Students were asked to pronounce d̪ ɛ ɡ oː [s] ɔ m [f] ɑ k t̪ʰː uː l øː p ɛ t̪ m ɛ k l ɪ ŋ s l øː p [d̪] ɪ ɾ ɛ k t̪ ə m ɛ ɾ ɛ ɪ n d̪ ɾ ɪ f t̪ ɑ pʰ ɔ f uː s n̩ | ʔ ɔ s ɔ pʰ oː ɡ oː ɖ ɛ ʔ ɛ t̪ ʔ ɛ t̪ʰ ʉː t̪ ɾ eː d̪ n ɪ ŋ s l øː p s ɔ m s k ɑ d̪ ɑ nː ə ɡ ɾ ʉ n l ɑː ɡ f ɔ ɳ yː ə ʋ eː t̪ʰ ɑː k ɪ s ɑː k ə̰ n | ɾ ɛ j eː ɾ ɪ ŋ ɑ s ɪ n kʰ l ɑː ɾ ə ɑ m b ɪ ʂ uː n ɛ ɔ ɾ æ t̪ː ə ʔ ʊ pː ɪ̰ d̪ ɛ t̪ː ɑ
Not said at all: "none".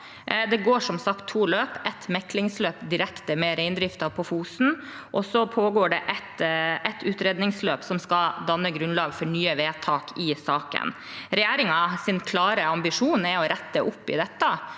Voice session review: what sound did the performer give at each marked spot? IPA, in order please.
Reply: ʂ, s, d̪

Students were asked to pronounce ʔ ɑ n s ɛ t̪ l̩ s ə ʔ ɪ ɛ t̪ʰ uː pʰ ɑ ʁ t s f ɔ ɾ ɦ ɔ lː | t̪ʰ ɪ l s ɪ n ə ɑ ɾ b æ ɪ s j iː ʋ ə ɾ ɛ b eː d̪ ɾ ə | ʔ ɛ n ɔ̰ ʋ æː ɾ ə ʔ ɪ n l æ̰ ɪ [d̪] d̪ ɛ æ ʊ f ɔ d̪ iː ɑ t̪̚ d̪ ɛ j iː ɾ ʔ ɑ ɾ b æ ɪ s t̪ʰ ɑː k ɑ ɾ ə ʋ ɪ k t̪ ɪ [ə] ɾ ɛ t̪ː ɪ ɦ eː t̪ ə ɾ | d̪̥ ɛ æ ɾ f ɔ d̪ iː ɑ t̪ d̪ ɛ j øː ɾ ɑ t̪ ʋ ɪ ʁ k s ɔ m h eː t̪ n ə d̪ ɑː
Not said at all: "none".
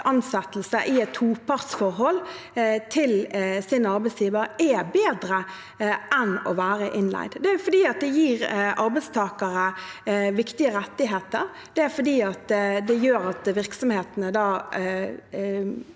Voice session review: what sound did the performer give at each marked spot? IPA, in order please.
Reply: d̪, ə

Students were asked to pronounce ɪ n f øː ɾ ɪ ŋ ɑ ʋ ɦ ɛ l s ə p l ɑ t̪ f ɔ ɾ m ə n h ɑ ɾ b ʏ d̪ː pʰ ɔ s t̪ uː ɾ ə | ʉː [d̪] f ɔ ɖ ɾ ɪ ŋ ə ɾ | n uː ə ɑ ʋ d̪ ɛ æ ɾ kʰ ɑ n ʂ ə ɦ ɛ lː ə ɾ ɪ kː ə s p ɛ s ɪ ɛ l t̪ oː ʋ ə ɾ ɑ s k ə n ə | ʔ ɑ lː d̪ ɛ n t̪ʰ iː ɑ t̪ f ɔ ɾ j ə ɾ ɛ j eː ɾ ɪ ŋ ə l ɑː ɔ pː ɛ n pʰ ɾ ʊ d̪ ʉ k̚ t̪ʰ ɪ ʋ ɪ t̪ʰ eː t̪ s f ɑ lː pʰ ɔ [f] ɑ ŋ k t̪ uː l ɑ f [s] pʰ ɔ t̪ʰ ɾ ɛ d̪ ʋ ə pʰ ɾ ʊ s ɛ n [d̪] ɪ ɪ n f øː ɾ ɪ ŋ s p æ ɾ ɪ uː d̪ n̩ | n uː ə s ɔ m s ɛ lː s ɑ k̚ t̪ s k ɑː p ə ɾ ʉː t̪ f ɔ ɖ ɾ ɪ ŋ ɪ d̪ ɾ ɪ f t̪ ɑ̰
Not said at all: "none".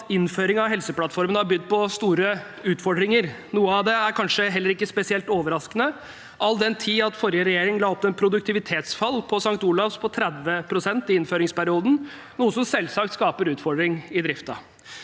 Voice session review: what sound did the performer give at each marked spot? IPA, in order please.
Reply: t̪, s, s, t̪

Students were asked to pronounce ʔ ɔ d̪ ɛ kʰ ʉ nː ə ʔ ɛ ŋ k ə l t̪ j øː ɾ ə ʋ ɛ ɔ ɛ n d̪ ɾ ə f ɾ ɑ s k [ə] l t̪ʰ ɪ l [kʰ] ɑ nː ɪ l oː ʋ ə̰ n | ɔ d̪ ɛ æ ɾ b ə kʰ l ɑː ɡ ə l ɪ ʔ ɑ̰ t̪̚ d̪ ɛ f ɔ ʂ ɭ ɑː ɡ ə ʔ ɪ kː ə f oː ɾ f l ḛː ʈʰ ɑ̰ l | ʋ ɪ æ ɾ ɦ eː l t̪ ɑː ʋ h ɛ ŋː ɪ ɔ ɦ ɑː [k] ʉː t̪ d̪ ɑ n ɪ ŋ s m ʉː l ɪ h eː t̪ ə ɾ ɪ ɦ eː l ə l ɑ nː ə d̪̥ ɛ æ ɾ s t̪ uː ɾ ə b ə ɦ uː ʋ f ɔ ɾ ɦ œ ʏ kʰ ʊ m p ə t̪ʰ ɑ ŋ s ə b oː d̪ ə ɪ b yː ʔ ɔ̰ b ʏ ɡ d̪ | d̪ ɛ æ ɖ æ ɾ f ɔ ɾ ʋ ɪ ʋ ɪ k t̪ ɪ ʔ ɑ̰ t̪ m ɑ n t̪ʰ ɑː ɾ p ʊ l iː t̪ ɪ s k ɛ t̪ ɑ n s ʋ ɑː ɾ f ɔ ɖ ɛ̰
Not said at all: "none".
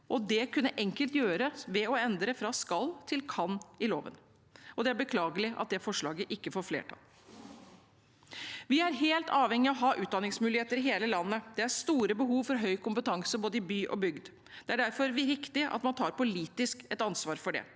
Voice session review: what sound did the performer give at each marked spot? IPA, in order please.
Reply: ɑ, kʰ, ʔ

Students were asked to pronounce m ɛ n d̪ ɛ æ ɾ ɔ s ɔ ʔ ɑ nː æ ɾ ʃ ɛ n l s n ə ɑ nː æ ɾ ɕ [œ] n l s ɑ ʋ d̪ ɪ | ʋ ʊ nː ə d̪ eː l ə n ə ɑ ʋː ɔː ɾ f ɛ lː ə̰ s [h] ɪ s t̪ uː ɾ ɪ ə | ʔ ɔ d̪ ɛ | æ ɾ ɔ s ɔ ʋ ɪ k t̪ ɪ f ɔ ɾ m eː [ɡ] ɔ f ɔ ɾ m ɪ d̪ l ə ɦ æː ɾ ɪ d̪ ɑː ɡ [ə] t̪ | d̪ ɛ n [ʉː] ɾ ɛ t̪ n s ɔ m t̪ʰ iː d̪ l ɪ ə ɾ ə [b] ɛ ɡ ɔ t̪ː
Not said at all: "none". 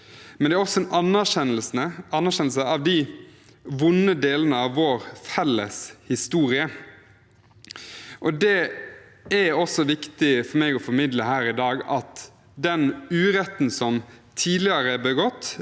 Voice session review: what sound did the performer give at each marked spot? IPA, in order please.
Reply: ɛ, h, ɡ, ɑ, ʉː, b

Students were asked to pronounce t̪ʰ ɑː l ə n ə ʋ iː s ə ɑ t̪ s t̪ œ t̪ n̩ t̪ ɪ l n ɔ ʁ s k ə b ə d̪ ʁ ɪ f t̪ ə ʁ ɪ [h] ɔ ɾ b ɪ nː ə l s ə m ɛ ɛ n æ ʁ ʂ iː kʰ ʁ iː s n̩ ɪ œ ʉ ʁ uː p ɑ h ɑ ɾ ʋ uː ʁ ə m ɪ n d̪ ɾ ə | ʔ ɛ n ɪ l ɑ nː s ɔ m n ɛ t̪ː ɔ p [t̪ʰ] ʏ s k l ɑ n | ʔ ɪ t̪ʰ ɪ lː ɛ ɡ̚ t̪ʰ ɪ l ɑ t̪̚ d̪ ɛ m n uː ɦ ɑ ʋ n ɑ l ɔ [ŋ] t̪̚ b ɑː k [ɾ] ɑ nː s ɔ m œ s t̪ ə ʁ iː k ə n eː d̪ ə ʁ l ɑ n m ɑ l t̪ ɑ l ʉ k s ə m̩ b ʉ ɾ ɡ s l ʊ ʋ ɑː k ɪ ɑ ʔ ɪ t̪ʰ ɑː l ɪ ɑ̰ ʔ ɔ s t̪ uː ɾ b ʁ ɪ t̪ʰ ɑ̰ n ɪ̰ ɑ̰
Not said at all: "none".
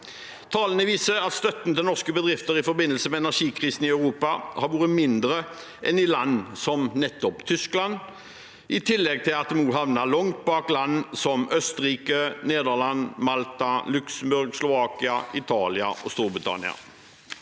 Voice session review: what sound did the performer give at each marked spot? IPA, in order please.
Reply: f, t̪ʰ, ŋ, l

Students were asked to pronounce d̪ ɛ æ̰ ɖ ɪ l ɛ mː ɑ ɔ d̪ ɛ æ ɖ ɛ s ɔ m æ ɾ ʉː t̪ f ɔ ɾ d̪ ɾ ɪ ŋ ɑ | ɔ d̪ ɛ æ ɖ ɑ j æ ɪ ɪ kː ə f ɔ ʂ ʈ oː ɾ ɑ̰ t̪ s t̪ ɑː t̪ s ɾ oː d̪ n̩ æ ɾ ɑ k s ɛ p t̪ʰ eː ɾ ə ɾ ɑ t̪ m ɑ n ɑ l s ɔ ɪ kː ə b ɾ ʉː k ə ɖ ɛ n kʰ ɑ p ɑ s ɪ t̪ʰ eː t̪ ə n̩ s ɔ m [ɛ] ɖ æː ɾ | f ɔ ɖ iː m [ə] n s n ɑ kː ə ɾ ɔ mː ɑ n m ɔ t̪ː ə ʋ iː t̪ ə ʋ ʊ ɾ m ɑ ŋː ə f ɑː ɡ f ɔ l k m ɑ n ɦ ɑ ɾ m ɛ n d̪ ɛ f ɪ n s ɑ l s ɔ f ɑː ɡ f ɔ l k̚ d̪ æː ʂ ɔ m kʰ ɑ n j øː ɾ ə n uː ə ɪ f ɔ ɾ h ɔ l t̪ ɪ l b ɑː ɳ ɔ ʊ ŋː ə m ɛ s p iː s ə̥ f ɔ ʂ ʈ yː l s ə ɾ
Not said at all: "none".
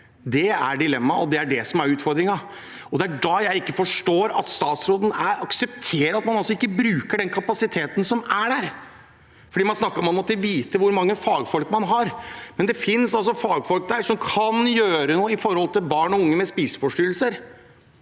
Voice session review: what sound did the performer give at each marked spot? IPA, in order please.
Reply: æ, ɑ

